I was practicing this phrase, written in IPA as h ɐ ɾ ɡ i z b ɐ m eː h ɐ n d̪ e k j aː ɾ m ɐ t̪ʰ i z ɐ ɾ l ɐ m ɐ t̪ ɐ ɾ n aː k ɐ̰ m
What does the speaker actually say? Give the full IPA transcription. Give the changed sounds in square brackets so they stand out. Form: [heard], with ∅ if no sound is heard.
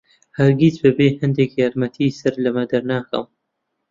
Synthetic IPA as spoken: h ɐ ɾ ɡ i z b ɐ [b] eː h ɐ n d̪ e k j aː ɾ m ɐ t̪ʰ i [s] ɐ ɾ l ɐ m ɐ [d̪] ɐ ɾ n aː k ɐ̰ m